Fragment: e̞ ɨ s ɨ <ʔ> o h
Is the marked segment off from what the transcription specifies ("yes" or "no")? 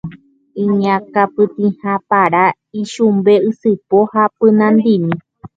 yes